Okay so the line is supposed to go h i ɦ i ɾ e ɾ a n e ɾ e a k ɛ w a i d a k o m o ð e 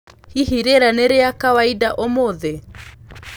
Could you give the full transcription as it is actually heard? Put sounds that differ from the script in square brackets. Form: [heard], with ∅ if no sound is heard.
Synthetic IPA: h i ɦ i ɾ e ɾ a n e ɾ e a k [a] w a i d a [ʔ] o m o ð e

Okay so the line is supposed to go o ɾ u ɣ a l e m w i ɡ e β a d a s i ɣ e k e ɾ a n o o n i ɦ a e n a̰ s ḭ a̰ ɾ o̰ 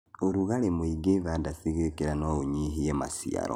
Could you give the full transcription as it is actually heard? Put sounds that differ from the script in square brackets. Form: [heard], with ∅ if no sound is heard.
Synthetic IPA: o ɾ u ɣ a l e m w i ɡ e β a d a s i ɣ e k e ɾ a n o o [ɲ] i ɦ [i] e [m] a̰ s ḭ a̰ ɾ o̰

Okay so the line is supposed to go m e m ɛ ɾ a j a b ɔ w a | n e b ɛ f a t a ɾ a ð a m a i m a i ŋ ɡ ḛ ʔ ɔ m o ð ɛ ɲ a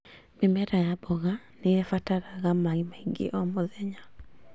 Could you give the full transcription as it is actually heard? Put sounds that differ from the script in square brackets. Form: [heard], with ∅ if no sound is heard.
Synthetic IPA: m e m ɛ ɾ a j a b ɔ [ɣ] a | n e [∅] ɛ f a t a ɾ a [ɣ] a m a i m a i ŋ ɡ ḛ ʔ ɔ m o ð ɛ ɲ a

